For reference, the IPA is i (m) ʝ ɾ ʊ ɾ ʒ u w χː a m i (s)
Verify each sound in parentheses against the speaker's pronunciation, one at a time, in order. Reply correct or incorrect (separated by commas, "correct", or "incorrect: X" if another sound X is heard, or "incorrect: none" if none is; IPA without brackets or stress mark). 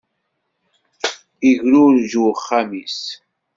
incorrect: none, correct